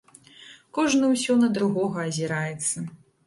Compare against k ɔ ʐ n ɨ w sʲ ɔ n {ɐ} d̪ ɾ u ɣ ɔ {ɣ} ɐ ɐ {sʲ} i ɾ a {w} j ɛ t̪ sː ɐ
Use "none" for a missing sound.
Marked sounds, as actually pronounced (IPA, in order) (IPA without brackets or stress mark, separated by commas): ɐ, ɣ, zʲ, none